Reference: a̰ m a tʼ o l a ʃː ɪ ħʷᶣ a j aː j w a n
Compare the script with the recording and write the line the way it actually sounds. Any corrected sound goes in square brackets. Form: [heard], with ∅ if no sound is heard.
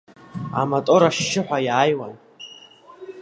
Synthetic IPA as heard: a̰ m a tʼ o [ɾ] a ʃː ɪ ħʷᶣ a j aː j w a n